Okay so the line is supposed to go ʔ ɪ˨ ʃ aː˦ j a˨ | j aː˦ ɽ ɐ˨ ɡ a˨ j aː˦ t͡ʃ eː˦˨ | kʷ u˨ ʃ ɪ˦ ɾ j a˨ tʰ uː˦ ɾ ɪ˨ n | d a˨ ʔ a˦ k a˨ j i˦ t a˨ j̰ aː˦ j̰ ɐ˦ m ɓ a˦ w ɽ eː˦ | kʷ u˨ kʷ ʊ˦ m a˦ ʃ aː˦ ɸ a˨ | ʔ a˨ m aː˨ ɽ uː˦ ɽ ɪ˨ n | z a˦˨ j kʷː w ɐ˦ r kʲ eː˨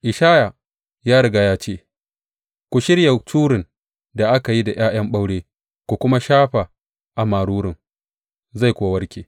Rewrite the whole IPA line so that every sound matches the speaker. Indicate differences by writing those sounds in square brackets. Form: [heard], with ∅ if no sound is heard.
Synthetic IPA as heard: ʔ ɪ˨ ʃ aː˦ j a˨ | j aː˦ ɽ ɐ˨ ɡ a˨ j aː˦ t͡ʃ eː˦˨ | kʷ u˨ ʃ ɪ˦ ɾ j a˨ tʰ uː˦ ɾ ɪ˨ n | d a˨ ʔ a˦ k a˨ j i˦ [d] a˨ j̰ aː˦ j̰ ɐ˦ m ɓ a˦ w ɽ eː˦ | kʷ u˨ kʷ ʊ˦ m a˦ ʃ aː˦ ɸ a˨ | ʔ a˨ m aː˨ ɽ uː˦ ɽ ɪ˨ [ŋ] | z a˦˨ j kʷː w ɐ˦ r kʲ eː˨